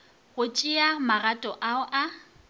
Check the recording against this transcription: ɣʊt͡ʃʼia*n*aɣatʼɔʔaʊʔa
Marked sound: incorrect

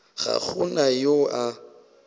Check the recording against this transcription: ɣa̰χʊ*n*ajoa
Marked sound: correct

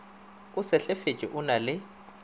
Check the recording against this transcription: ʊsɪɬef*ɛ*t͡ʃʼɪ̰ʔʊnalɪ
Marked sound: incorrect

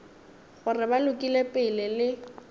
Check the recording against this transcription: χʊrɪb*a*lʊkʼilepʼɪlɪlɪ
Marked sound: correct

